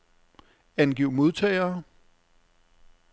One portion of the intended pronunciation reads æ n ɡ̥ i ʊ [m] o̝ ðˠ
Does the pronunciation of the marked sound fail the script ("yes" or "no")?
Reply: no